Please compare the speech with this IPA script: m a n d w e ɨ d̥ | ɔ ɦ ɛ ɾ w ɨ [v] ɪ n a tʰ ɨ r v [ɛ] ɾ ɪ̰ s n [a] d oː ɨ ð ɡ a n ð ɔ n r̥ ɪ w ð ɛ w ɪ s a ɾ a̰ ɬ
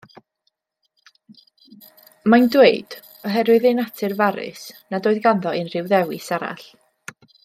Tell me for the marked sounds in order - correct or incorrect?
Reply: incorrect, incorrect, correct

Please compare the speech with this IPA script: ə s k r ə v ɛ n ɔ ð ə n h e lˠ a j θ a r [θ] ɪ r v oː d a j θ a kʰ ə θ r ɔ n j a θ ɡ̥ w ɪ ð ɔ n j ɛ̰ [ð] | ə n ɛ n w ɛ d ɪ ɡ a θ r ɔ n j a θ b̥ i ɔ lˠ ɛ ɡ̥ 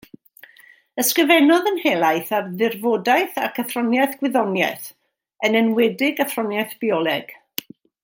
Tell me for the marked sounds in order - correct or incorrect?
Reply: incorrect, incorrect

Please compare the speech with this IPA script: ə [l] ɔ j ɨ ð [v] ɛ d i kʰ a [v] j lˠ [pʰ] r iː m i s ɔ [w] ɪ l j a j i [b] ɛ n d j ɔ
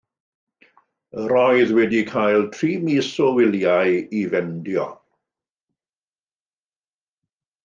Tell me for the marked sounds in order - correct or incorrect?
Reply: incorrect, incorrect, incorrect, incorrect, correct, incorrect

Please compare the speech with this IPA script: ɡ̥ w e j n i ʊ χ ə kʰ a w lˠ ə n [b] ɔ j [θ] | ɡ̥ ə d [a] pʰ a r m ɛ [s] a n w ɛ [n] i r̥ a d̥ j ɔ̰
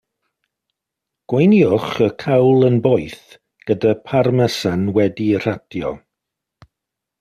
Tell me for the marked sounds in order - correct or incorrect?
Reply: correct, correct, correct, correct, incorrect

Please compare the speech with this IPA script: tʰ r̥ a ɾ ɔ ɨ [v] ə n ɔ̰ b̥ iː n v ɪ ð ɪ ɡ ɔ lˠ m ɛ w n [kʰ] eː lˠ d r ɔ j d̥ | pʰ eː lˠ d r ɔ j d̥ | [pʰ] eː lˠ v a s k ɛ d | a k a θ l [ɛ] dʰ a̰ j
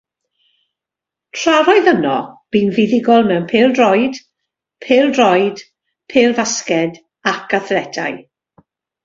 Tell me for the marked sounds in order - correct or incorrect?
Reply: incorrect, incorrect, correct, correct

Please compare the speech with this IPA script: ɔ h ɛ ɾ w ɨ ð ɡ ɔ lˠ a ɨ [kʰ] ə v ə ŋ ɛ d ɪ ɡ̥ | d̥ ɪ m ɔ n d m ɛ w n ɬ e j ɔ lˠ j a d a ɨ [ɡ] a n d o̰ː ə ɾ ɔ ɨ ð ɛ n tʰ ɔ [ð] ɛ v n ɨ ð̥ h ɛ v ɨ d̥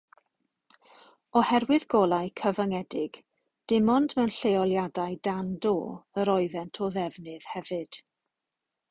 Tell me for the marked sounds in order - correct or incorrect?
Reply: correct, incorrect, correct

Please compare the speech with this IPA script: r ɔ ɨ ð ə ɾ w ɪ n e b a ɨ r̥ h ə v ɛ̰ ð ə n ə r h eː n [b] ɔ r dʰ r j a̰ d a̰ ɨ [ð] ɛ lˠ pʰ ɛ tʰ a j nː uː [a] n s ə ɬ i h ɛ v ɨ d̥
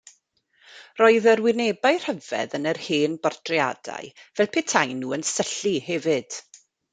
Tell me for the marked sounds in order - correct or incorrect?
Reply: correct, incorrect, incorrect

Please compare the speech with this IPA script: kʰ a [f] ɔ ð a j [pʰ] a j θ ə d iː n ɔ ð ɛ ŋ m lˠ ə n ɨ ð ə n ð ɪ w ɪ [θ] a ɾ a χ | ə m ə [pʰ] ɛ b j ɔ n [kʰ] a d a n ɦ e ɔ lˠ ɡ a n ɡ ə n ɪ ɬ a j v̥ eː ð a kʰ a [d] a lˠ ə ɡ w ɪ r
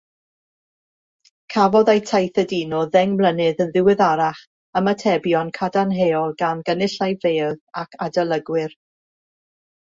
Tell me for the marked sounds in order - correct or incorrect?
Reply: incorrect, incorrect, incorrect, incorrect, correct, correct

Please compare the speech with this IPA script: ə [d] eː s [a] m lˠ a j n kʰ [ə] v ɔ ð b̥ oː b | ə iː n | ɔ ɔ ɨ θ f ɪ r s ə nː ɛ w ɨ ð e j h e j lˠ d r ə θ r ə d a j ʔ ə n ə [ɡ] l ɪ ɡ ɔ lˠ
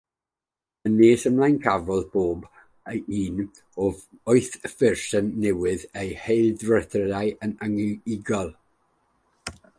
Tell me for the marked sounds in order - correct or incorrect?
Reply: incorrect, incorrect, incorrect, incorrect

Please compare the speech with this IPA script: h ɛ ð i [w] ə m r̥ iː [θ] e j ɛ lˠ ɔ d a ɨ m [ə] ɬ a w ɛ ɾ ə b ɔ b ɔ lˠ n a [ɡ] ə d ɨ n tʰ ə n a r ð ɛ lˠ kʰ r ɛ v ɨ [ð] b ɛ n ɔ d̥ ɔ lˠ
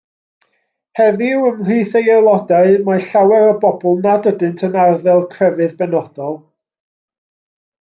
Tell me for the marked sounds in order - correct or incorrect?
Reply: correct, correct, incorrect, incorrect, correct

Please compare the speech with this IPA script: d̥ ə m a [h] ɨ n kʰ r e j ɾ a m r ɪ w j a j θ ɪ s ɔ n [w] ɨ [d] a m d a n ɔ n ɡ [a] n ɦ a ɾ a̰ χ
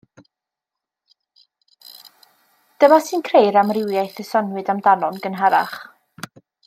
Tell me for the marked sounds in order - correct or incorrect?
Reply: incorrect, correct, correct, incorrect

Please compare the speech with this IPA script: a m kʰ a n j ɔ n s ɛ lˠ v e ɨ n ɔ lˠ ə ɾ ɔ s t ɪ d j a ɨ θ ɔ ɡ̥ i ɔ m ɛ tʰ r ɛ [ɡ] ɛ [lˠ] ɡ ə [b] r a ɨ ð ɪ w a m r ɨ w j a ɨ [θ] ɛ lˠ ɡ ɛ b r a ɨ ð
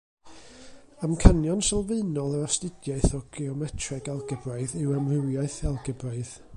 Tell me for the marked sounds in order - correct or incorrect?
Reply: correct, correct, correct, correct

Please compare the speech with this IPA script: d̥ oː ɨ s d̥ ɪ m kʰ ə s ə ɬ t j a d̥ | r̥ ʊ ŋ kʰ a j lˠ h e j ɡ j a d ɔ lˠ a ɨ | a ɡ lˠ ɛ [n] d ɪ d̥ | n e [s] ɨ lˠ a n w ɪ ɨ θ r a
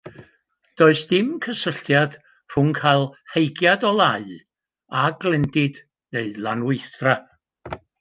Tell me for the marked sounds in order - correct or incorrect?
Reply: correct, incorrect

